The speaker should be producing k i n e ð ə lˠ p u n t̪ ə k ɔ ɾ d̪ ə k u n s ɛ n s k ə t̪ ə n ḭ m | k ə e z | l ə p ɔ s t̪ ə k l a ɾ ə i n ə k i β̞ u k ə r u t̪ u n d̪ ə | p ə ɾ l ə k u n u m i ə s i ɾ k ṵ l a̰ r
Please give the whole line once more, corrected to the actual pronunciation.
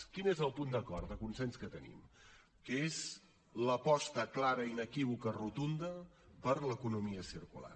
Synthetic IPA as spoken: k i n e z ə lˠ p u n d̪ ə k ɔ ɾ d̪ ə k u n s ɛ n s k ə t̪ ə n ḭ m | k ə e z | l ə p ɔ s t̪ ə k l a ɾ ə i n ə k i β̞ u k ə r u t̪ u n d̪ ə | p ə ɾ l ə k u n u m i ə s i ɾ k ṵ l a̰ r

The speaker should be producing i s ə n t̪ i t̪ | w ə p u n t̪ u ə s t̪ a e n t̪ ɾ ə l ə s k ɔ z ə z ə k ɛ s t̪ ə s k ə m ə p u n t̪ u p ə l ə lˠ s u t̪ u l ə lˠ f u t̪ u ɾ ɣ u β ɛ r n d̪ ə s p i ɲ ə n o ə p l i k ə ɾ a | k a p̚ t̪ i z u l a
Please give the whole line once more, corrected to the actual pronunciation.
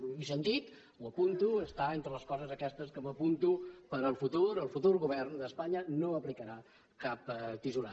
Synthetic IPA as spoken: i s ə n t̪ i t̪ | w ə p u n t̪ u ə s t̪ a e n t̪ ɾ ə l ə s k ɔ z ə z ə k ɛ s t̪ ə s k ə m ə p u n t̪ u p ə ɾ ə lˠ f u t̪ u ɾ ə lˠ f u t̪ u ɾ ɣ u β ɛ r n d̪ ə s p a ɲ ə n o ə p l i k ə ɾ a | k a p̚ t̪ i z u l a

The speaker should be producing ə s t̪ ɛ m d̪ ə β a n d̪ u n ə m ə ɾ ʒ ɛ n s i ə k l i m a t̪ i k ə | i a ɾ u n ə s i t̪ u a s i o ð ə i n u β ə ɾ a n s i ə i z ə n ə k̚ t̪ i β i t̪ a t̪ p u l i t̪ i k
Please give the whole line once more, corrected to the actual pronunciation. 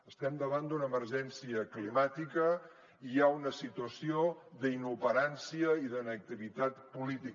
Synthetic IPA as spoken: ə s t̪ ɛ m d̪ ə β a n d̪ u n ə m ə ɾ ʒ ɛ n s i ə k l i m a t̪ i k ə | i a u n ə s i t̪ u ə s i o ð ə i n u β ə ɾ a n s i ə i ð ə n ə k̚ t̪ i β i t̪ a t̪ p u l i t̪ i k

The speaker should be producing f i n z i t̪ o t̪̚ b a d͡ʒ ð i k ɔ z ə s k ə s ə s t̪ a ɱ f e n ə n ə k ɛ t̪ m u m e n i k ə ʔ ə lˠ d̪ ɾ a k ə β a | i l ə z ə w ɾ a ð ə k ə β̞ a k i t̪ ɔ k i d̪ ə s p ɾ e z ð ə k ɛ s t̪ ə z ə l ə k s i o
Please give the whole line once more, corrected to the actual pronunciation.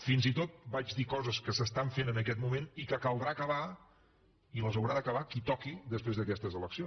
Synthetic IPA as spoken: f i n z i t̪ o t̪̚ b a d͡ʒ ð i k ɔ z ə s k ə s ə s t̪ a ɱ f e n ə n ə k ɛ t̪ m u m e n i k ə k ə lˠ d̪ ɾ a k ə β a | i l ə z ə w ɾ a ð ə k ə β̞ a k i t̪ ɔ k i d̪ ə s p ɾ e z ð ə k ɛ s t̪ ə z ə l ə k s i o

